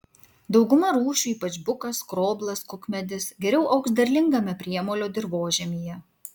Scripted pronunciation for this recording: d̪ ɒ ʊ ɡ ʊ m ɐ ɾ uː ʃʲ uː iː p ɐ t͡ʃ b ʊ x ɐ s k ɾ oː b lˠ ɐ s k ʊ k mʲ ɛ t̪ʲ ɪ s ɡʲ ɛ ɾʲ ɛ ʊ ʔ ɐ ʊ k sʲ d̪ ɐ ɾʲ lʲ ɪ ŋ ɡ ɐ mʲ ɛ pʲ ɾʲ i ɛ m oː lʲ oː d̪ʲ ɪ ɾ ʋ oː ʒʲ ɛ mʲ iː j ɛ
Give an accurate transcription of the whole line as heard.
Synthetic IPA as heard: d̪ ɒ ʊ ɡ ʊ m ɐ ɾ uː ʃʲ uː iː p ɐ t͡ʃ b ʊ k ɐ s k ɾ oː b lˠ ɐ s k ʊ k mʲ ɛ d̪ʲ ɪ s ɡʲ ɛ ɾʲ ɛ ʊ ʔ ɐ ʊ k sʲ d̪ ɐ ɾʲ lʲ ɪ ŋ ɡ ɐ mʲ ɛ pʲ ɾʲ i ɛ m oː lʲ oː d̪ʲ ɪ ɾ ʋ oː ʒʲ ɛ mʲ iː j ɛ